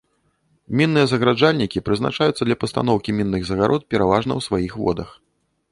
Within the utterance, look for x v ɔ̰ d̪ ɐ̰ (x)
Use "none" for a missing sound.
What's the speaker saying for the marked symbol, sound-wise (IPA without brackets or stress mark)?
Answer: x